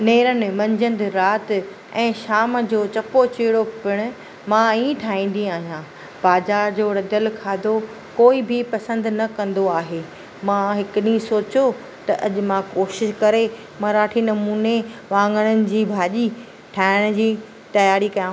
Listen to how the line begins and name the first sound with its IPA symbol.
n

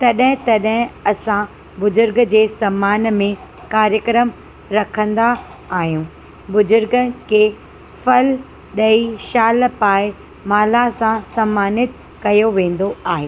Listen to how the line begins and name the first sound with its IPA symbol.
t̪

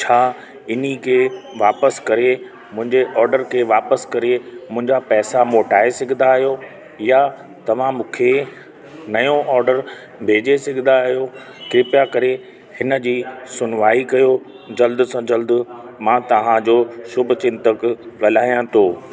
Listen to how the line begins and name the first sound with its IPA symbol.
t͡ɕʰ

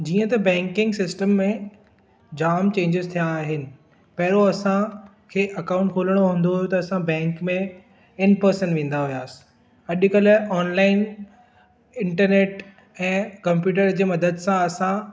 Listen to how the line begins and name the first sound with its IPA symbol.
d͡ʑ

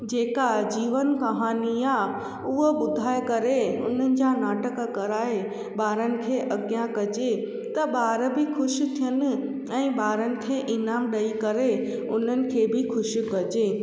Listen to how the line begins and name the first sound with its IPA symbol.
d͡ʑ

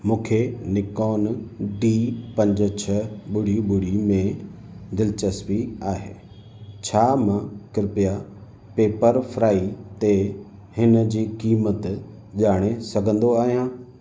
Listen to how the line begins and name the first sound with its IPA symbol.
m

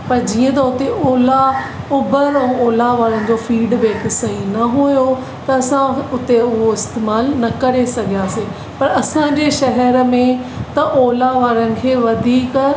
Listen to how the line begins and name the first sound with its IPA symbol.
p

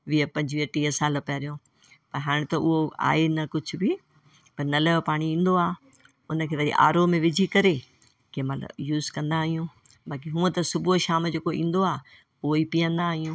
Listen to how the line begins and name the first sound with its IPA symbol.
ʋ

